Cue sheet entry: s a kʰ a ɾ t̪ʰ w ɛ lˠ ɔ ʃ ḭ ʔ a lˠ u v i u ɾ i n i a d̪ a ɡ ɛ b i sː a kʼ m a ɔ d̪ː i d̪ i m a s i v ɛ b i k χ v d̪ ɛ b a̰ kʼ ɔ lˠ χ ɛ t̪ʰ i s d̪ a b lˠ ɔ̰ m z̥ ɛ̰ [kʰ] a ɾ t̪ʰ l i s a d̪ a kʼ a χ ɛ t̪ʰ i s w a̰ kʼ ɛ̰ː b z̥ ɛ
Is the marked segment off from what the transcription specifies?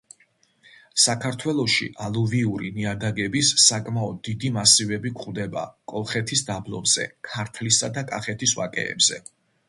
no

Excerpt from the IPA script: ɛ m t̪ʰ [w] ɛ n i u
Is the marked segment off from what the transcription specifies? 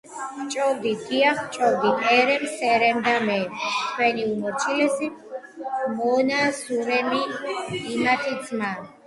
no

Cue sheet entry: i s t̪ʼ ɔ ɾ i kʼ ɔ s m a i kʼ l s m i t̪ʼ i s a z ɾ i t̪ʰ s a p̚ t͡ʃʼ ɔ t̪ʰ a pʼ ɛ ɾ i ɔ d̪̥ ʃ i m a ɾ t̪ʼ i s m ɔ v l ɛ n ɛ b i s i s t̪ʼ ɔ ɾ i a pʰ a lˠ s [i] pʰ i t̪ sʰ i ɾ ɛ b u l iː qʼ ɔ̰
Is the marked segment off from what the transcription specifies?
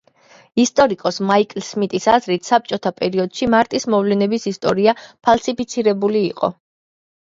no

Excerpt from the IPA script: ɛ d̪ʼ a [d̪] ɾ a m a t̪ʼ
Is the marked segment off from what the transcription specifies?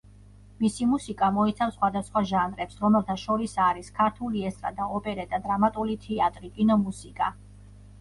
no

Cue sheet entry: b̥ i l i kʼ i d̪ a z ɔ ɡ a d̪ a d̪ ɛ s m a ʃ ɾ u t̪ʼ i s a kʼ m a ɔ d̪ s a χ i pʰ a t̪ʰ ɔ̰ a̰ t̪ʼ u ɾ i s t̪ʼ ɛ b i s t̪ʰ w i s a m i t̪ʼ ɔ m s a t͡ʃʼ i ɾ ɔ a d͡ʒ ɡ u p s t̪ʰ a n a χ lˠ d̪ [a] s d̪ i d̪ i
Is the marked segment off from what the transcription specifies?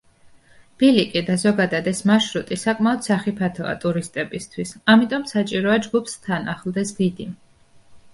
yes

